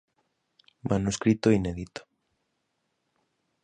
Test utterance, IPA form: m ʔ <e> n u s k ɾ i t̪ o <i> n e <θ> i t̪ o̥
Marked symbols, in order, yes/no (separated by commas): no, yes, no